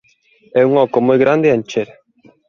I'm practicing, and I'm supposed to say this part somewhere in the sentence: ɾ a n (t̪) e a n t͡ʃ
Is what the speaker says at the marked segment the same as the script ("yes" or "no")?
no